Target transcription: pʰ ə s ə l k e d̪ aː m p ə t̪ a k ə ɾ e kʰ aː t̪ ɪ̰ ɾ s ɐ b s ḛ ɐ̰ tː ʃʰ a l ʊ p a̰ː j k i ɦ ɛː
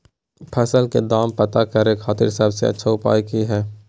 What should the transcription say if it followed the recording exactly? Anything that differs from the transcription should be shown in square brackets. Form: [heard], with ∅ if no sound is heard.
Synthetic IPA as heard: pʰ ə s ə l k e d̪ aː m p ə t̪ a k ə ɾ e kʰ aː t̪ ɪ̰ ɾ s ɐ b s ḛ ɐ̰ tː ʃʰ a [∅] ʊ p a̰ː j k i ɦ ɛː